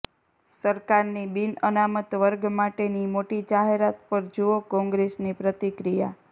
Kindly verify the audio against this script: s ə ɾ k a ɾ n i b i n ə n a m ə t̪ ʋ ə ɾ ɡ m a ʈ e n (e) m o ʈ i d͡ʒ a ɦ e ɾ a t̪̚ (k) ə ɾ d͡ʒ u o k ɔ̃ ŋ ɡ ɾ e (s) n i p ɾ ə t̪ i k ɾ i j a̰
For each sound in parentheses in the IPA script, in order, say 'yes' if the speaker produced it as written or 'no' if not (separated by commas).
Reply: no, no, yes